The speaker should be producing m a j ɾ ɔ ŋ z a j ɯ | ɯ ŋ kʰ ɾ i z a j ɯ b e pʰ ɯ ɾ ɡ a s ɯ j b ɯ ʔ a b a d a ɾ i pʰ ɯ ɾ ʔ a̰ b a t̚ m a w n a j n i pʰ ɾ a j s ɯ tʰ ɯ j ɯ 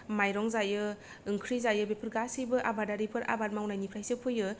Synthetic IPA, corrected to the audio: m a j ɾ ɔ ŋ z a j ɯ | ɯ ŋ kʰ ɾ i z a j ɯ b e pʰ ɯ ɾ ɡ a s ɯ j b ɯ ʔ a b a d a ɾ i pʰ ɯ ɾ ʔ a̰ b a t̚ m a w n a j n i pʰ ɾ a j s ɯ pʰ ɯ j ɯ